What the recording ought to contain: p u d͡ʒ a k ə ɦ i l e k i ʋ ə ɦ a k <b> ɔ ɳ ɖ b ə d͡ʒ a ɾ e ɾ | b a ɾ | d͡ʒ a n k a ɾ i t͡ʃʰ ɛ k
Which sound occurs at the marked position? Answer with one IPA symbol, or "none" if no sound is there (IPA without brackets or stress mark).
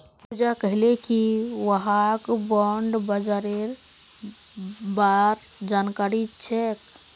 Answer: b